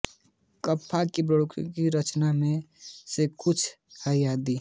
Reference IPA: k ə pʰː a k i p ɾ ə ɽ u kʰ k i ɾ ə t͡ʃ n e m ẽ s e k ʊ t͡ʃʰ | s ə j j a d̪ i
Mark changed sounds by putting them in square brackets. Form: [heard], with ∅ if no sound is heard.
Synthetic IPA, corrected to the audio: k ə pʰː a k i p ɾ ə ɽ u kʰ k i ɾ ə t͡ʃ n [a] m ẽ s e k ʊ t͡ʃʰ | [h] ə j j a d̪ i